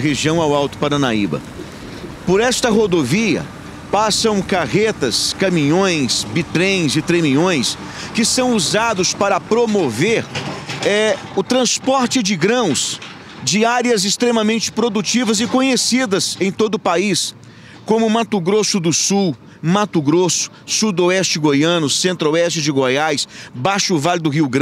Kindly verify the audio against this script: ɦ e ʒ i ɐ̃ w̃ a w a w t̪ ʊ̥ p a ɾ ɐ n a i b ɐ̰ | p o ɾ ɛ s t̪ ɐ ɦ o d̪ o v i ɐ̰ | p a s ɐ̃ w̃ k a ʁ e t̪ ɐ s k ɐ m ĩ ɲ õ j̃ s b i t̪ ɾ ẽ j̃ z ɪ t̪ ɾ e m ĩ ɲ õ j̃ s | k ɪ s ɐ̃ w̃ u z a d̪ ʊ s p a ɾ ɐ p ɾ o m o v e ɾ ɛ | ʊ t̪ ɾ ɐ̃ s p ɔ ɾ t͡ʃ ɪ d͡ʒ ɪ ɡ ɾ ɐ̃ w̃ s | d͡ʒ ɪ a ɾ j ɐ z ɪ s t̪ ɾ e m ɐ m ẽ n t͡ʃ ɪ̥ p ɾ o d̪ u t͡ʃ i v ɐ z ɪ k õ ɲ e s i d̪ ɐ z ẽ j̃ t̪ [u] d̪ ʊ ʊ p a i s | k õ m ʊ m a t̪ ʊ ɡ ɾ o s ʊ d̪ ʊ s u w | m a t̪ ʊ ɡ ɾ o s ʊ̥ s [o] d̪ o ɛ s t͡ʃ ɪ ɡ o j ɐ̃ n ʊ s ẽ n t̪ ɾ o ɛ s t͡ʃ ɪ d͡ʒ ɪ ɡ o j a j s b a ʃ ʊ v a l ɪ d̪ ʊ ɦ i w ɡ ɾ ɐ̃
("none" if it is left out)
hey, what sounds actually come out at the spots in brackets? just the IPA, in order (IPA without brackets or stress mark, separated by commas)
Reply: o, u